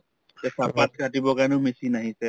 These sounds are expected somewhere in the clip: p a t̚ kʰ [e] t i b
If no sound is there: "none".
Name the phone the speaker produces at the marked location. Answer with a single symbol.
a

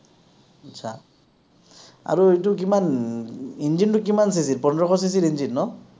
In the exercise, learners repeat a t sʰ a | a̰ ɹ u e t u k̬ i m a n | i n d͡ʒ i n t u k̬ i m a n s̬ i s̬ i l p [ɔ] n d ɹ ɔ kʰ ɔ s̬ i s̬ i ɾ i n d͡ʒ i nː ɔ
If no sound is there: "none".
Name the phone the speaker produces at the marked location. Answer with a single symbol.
ɔ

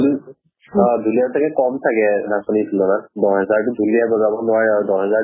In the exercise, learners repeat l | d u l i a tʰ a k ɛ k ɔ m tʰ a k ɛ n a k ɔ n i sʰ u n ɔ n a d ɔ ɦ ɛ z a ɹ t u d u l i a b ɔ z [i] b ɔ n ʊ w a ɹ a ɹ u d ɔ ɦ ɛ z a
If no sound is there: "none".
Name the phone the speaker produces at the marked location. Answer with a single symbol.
a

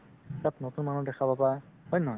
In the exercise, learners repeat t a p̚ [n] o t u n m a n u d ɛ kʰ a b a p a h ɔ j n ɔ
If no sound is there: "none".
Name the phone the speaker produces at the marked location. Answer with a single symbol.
n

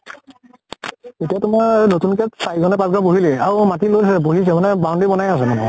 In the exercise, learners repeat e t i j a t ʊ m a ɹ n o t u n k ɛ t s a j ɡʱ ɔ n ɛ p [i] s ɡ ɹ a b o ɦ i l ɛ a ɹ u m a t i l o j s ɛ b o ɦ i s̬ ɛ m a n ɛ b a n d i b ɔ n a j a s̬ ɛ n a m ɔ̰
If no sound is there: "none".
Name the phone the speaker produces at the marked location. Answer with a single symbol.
a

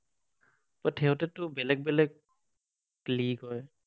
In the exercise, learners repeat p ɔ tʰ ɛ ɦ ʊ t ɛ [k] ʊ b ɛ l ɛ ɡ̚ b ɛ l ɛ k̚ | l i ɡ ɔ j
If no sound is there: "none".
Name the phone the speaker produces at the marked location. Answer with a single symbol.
t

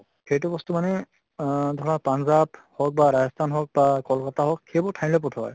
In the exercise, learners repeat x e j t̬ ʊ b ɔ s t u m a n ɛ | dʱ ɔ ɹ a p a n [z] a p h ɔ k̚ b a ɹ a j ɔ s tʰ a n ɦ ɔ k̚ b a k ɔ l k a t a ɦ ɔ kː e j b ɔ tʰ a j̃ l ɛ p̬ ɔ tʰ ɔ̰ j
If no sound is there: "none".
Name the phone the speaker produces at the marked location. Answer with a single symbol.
z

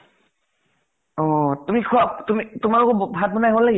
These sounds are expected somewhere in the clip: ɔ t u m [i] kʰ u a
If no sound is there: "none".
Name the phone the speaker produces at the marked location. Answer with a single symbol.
i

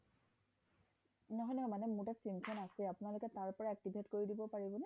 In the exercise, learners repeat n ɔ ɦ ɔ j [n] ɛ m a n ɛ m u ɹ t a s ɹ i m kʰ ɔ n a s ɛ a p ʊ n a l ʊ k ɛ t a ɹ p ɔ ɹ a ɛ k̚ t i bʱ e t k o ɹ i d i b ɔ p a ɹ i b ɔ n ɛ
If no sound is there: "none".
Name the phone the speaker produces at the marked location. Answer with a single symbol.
n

